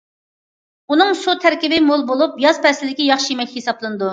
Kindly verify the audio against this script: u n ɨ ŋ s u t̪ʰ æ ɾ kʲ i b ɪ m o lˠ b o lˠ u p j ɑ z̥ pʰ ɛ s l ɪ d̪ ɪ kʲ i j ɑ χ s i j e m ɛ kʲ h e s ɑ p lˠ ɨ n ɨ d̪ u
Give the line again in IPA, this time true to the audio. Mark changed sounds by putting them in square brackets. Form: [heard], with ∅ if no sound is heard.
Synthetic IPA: u n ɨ ŋ s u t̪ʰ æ ɾ kʲ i b ɪ m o lˠ b o lˠ u p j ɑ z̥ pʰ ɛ s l ɪ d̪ ɪ kʲ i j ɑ χ [ʃ] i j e m ɛ kʲ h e s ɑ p lˠ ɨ n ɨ d̪ u